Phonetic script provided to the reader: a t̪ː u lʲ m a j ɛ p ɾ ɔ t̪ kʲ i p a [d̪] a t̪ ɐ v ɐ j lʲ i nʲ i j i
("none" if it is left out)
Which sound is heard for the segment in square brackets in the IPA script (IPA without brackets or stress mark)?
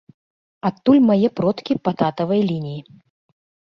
t̪